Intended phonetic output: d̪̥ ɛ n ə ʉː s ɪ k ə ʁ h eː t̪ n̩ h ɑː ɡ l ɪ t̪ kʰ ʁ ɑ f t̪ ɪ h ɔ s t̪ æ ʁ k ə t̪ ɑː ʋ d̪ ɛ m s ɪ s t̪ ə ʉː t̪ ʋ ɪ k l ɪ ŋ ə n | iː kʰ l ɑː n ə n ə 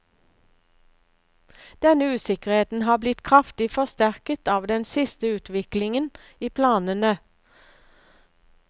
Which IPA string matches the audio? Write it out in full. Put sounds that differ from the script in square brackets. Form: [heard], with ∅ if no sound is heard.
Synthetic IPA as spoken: d̪̥ ɛ n ə ʉː s ɪ k ə ʁ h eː t̪ n̩ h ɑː [b] l ɪ t̪ kʰ ʁ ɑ f t̪ ɪ [f] ɔ s t̪ æ ʁ k ə t̪ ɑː ʋ d̪ ɛ [n] s ɪ s t̪ ə ʉː t̪ ʋ ɪ k l ɪ ŋ ə n | iː [pʰ] l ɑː n ə n ə